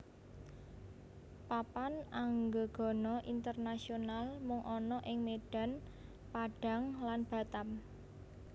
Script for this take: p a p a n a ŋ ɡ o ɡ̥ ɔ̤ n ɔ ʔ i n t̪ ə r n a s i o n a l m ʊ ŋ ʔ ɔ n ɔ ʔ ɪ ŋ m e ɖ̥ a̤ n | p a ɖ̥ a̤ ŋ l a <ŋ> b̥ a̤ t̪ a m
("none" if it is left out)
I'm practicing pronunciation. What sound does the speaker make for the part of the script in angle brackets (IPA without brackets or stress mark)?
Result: n